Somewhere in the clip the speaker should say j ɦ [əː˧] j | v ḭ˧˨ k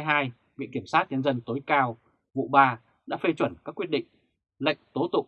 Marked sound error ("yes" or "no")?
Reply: yes